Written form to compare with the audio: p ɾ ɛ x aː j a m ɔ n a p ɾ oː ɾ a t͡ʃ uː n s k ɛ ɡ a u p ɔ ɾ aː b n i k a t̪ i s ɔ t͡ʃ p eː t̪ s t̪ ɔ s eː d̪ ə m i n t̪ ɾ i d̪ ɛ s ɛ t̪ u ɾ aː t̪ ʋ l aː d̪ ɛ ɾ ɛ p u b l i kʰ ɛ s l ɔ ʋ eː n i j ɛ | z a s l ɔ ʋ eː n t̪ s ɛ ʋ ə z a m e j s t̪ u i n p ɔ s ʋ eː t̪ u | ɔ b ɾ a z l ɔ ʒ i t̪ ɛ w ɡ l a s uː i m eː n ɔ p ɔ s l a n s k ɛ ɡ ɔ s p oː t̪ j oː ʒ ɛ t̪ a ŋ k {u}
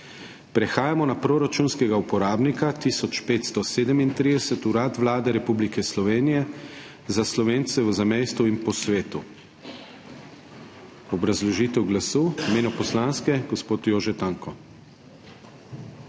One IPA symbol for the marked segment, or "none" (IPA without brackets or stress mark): ɔ